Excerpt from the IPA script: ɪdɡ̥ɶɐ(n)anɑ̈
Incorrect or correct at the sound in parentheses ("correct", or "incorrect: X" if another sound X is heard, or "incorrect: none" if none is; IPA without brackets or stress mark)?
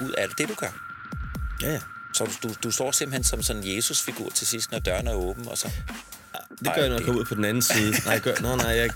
correct